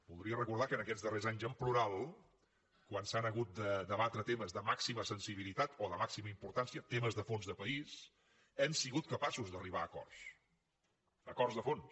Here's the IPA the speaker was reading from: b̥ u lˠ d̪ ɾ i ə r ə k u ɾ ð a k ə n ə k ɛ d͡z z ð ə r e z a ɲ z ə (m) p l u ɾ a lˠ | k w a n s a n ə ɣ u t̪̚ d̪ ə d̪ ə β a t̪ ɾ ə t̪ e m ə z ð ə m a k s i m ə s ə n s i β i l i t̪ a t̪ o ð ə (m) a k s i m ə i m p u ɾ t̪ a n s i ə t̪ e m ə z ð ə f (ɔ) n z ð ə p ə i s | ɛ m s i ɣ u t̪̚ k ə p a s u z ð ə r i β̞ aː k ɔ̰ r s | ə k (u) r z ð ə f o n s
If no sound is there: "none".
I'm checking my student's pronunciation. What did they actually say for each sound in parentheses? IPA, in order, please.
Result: m, m, o, ɔ

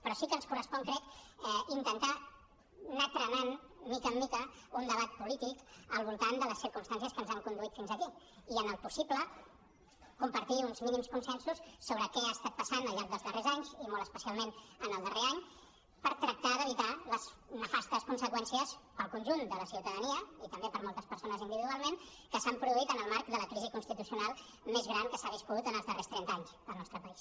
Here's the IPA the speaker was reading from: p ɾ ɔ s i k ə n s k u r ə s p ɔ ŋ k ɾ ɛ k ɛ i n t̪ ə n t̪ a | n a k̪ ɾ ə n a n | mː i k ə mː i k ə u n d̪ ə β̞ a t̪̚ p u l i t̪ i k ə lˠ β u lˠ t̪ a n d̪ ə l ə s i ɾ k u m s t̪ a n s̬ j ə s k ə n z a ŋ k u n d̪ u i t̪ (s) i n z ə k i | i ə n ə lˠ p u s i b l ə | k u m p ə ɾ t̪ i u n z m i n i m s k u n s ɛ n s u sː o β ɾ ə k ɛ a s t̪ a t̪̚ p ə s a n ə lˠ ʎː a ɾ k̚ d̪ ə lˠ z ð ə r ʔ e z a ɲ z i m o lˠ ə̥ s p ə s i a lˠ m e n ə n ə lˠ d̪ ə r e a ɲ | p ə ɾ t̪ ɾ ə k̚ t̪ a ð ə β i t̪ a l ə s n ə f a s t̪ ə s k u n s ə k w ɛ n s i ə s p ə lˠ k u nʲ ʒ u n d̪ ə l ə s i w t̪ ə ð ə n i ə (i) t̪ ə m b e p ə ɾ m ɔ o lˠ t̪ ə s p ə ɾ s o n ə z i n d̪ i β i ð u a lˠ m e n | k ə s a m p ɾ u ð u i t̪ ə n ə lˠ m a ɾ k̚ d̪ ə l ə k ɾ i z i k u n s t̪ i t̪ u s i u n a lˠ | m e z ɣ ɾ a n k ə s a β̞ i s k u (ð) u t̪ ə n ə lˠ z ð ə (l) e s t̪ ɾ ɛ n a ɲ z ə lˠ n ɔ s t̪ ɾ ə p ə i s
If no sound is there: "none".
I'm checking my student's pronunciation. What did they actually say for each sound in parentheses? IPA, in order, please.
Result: f, i, ð, r

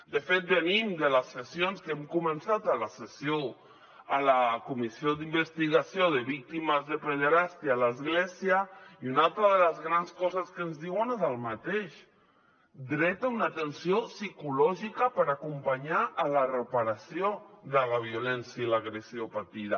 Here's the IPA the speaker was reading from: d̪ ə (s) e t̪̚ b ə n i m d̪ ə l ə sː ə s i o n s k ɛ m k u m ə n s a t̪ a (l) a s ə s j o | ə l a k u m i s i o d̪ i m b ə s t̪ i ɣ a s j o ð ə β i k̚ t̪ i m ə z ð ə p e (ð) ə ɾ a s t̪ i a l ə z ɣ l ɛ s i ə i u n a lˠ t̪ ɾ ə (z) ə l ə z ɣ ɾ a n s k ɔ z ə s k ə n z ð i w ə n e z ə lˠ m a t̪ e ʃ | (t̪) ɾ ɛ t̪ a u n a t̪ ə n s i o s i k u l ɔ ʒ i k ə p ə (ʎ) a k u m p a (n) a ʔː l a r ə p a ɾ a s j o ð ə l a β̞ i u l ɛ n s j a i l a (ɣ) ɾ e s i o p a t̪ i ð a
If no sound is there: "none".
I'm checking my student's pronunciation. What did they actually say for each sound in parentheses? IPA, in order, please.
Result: f, l, ð, ð, d̪, ɾ, ɲ, ɣ

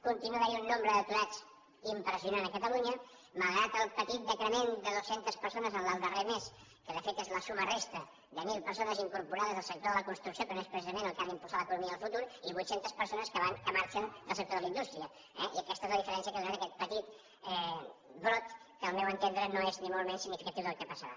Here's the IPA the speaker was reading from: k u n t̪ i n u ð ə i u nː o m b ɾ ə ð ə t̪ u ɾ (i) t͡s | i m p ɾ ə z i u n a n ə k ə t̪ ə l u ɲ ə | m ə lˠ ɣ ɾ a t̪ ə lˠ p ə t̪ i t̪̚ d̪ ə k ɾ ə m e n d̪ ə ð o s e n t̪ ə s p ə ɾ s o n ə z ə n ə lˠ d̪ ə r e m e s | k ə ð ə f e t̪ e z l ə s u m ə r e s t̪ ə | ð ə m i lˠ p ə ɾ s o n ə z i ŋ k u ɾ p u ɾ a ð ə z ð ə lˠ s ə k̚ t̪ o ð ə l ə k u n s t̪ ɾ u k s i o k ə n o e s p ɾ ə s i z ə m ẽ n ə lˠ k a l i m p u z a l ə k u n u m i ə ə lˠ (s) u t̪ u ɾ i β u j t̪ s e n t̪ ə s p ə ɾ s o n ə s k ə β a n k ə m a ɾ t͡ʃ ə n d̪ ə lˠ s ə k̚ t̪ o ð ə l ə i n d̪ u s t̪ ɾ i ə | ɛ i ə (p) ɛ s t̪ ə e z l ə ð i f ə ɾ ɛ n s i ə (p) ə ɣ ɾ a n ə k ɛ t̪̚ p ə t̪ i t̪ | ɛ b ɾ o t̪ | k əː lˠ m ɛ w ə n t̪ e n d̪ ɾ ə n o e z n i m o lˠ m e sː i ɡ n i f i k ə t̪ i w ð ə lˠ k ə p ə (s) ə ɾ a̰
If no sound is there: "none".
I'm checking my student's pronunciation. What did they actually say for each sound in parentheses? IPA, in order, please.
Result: a, f, k, k, s

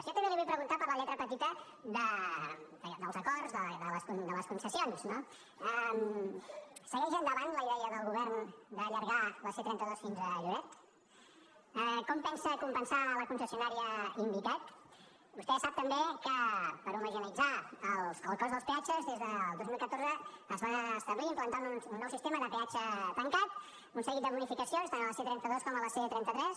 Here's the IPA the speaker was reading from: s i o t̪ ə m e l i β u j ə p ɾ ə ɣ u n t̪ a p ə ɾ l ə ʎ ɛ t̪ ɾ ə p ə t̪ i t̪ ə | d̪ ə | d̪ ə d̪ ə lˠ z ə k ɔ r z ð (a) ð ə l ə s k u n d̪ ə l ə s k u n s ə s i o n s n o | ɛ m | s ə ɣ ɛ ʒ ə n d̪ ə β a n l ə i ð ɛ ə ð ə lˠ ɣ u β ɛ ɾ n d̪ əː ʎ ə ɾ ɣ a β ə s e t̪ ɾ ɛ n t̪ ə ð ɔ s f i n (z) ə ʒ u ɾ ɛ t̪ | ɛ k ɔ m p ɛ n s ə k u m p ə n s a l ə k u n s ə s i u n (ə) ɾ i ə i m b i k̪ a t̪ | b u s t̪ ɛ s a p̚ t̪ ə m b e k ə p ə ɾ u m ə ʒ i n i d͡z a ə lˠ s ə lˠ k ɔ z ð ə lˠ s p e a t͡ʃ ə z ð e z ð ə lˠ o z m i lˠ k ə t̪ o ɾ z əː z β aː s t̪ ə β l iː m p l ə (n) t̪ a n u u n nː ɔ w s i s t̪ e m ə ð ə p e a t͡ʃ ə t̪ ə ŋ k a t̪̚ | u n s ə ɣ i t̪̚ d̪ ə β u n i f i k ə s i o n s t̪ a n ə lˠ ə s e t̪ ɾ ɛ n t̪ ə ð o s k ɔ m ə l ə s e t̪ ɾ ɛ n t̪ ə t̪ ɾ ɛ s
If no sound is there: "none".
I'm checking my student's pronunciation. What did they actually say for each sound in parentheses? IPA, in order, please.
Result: ə, z, a, n

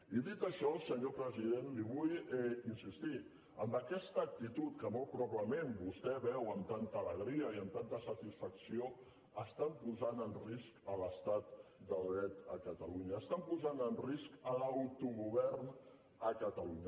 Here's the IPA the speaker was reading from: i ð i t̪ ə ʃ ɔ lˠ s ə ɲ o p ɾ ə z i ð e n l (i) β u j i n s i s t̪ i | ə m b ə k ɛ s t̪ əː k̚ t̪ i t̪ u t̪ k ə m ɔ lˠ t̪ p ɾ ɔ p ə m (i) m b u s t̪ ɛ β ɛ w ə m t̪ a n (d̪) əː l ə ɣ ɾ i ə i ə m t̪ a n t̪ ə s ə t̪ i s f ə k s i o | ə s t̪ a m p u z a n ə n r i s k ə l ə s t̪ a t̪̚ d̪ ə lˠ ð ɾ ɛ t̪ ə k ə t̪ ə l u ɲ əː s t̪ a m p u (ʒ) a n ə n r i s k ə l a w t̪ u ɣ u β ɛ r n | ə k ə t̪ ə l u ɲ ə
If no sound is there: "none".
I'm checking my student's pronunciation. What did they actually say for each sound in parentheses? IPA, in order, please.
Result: i, e, t̪, z

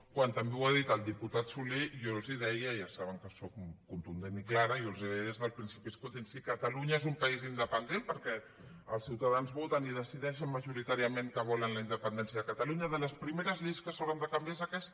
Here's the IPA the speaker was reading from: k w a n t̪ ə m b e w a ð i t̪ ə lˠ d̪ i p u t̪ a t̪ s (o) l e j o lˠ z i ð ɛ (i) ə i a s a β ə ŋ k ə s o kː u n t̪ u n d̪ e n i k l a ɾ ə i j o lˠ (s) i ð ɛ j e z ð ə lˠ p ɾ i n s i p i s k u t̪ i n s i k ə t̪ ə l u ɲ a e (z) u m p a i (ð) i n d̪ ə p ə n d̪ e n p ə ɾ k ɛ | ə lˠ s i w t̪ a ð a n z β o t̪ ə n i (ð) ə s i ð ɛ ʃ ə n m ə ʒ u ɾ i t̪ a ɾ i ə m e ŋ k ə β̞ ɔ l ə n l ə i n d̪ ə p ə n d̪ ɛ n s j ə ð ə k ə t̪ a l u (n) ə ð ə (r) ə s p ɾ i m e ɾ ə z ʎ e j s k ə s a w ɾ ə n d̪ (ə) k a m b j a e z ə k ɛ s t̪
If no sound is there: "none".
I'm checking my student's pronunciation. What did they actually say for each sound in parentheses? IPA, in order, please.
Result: u, j, z, z, z, ð, ɲ, l, ə

